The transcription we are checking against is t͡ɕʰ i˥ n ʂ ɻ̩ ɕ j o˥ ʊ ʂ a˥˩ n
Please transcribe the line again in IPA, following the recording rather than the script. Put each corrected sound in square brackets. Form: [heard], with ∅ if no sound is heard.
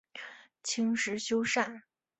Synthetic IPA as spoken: t͡ɕʰ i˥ [ŋ] ʂ ɻ̩ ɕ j o˥ ʊ ʂ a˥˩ n